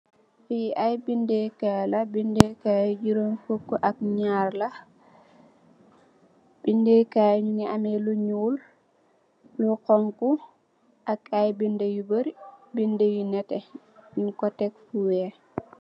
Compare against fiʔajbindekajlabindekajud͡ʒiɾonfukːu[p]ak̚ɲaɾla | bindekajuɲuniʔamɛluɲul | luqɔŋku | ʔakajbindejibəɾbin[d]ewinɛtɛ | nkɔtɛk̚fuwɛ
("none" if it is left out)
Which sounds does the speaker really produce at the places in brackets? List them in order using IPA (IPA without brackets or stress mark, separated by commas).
ʔ, d